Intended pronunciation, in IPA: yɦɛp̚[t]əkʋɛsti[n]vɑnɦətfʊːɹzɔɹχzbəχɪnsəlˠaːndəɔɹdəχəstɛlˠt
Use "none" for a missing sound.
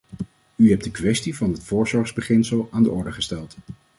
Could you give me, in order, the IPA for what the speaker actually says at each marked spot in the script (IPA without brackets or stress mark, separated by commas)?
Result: d, none